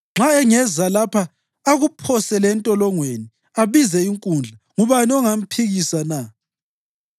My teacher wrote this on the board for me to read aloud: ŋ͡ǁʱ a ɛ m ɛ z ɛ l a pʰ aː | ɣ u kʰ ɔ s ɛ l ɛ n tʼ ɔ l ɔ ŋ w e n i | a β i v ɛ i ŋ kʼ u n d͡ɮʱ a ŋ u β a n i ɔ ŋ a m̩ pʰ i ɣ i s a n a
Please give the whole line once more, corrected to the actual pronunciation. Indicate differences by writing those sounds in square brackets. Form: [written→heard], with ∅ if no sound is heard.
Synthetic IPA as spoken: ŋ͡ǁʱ a ɛ [m→ŋ] ɛ z [ɛ→a] l a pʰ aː | ɣ u [kʰ→pʰ] ɔ s ɛ l ɛ n tʼ ɔ l ɔ ŋ w e n i | a β i [v→z] ɛ i ŋ kʼ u n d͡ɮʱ a ŋ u β a n i ɔ ŋ a m̩ pʰ i ɣ i s a n a